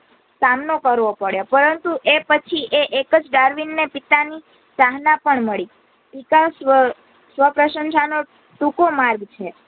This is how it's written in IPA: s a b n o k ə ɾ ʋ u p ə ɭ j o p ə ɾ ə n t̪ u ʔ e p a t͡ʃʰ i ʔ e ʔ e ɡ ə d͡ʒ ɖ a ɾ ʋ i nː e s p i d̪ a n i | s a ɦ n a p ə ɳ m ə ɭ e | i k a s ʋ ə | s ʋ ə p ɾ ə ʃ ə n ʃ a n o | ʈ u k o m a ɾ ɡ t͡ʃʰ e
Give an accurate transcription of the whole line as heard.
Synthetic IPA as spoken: s a m n o k ə ɾ ʋ o p ə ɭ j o p ə ɾ ə n t̪ u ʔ e p ə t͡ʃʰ i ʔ e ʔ e k ə d͡ʒ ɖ a ɾ ʋ i nː e p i t̪ a n i | s a ɦ n a p ə ɳ m ə ɭ i | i k a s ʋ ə | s ʋ ə p ɾ ə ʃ ə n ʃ a n o | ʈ u k o m a ɾ ɡ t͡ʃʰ e

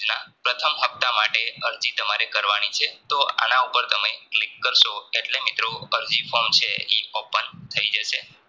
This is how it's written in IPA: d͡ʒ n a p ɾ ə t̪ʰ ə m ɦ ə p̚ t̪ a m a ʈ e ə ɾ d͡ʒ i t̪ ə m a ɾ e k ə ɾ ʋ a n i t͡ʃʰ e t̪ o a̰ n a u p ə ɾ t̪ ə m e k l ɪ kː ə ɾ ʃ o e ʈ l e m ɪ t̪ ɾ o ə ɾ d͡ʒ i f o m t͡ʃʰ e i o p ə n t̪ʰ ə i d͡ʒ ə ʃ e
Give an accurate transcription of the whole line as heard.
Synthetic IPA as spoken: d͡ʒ n a p ɾ ə t̪ʰ ə m ɦ ə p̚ t̪ a m a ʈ e ə ɾ d͡ʒ i t̪ ə m a ɾ e k ə ɾ ʋ a n i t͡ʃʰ e t̪ o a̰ n a u p ə ɾ t̪ ə m e k l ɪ kː ə ɾ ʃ o e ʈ l e m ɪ t̪ ɾ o ə ɾ d͡ʒ i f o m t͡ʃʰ e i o p ə n t̪ʰ ə i d͡ʒ ə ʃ e

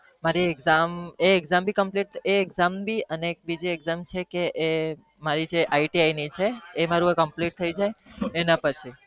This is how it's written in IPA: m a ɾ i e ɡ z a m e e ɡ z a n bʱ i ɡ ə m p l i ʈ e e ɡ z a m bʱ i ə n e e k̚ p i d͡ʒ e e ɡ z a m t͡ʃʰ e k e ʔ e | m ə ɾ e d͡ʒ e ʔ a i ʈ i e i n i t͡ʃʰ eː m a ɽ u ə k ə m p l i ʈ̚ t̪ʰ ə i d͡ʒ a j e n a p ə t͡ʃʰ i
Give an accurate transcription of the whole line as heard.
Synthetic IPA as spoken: m a ɾ i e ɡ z a m e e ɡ z a m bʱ i k ə m p l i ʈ e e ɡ z a m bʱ i ə n e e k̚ b i d͡ʒ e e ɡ z a m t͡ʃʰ e k e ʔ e | m a ɾ i d͡ʒ e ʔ a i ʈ i a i n i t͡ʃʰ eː m a ɾ u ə k ə m p l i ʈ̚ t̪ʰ ə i d͡ʒ a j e n a p ə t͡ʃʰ i

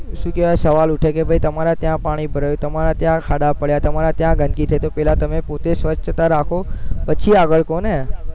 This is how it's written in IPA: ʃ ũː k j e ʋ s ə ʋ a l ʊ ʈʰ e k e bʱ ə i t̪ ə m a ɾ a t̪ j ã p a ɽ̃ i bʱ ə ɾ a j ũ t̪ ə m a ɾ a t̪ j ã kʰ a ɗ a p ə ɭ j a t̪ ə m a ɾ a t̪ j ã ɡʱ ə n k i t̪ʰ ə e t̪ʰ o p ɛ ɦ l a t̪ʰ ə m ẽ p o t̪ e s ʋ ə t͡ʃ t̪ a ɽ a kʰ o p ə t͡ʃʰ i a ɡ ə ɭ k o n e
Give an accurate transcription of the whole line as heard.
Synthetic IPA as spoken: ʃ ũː k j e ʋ s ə ʋ a l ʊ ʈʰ e k e bʱ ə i t̪ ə m a ɾ a t̪ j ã p a ɽ̃ i bʱ ə ɾ a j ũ t̪ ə m a ɾ a t̪ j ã kʰ a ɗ a p ə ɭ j a t̪ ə m a ɾ a t̪ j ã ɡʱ ə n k i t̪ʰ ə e t̪ o p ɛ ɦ l a t̪ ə m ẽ p o t̪ e s ʋ ə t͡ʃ t̪ a ɾ a kʰ o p ə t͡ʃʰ i a ɡ ə ɭ k o n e

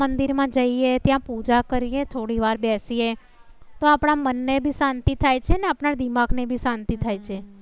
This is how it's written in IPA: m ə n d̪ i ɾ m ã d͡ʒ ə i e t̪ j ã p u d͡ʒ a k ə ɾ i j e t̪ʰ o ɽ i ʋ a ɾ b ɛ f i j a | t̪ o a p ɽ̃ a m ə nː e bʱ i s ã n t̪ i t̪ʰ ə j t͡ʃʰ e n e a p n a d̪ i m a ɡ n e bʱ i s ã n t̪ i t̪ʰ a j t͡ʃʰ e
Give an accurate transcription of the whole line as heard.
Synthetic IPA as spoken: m ə n d̪ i ɾ m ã d͡ʒ ə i e t̪ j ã p u d͡ʒ a k ə ɾ i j e t̪ʰ o ɽ i ʋ a ɾ b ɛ s i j e | t̪ o a p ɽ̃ a m ə nː e bʱ i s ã n t̪ i t̪ʰ a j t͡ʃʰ e n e a p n a d̪ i m a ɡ n e bʱ i s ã n t̪ i t̪ʰ a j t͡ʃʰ e

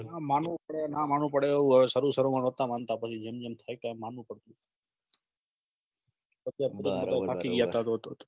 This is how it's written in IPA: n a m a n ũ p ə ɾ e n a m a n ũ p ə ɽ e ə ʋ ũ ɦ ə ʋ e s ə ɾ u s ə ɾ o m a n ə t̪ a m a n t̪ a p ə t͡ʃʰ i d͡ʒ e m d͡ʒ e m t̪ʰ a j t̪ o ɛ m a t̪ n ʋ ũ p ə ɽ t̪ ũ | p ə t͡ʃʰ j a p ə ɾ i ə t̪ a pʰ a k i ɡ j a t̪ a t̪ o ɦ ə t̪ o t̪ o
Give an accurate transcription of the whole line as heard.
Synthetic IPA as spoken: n a m a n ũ p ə ɽ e n a m a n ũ p ə ɽ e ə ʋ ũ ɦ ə ʋ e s ə ɾ u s ə ɾ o m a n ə t̪ a m a n t̪ a p ə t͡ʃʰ i d͡ʒ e m d͡ʒ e m t̪ʰ a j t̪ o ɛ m a n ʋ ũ p ə ɽ t̪ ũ | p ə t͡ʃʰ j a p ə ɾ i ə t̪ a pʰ a k i ɡ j a t̪ a t̪ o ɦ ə t̪ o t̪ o

